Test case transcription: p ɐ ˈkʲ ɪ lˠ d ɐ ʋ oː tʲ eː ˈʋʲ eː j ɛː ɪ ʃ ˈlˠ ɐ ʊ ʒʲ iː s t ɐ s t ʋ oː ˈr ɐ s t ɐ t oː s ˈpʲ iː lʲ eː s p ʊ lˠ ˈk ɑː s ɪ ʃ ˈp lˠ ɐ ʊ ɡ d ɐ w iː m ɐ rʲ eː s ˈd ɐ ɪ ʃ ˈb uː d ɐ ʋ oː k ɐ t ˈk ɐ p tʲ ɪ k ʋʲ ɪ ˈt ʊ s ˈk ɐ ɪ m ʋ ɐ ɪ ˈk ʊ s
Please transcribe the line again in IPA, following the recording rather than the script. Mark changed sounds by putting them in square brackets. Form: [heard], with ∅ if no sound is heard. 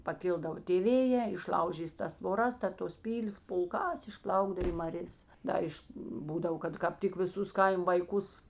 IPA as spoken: p ɐ ˈkʲ ɪ lˠ d ɐ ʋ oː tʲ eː ˈʋʲ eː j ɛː ɪ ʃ ˈlˠ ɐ ʊ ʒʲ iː s t ɐ s t ʋ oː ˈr ɐ s t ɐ t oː s ˈpʲ iː lʲ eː s p ʊ lˠ ˈk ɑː s ɪ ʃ ˈp lˠ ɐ ʊ ɡ d ɐ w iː m ɐ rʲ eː s ˈd ɐ ɪ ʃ ˈb uː d ɐ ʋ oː k ɐ t ˈk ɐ p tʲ ɪ k ʋʲ ɪ [ˈs] ʊ s ˈk ɐ ɪ m ʋ ɐ ɪ ˈk ʊ s